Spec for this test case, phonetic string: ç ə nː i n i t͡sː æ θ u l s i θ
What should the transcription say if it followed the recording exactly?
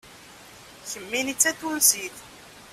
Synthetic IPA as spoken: ç ə mː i n i t͡sː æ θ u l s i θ